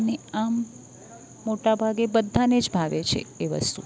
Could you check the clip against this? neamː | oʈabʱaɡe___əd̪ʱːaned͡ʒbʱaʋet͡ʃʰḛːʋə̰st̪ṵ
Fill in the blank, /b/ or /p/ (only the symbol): b